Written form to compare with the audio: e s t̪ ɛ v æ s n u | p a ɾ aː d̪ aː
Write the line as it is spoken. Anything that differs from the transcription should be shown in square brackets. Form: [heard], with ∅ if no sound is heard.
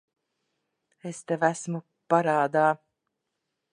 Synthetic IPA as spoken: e s t̪ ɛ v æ s [m] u | p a ɾ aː d̪ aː